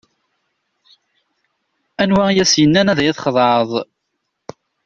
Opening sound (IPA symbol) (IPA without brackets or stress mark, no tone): æ